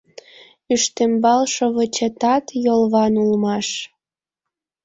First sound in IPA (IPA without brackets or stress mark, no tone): y